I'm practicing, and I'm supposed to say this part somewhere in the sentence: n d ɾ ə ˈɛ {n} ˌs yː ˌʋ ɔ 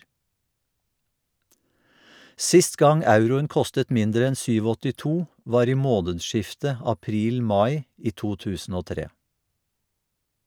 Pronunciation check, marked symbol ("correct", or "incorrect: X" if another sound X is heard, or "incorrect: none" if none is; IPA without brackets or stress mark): correct